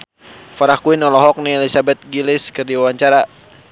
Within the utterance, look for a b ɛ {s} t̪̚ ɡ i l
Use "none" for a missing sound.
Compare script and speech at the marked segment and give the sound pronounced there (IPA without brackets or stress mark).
none